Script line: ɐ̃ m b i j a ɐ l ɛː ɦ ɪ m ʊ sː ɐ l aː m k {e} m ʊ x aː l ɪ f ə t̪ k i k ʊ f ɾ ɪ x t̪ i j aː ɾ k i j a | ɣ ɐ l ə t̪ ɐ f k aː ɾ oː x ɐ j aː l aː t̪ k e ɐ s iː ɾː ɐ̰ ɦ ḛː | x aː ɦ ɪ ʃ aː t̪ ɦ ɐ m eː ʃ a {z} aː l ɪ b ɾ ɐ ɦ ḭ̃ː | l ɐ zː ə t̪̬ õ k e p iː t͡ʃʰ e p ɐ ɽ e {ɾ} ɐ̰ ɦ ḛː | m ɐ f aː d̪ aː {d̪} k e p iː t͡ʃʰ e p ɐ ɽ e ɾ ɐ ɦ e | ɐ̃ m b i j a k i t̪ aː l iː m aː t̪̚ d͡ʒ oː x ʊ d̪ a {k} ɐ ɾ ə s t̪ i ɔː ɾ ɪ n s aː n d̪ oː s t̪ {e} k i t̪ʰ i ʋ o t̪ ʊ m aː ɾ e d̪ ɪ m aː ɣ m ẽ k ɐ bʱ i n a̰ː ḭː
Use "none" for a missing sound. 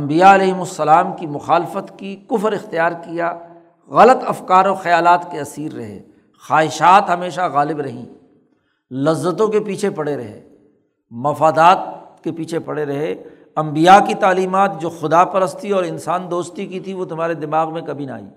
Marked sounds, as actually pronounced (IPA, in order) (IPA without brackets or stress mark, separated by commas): i, ɣ, ɾ, t̪, p, i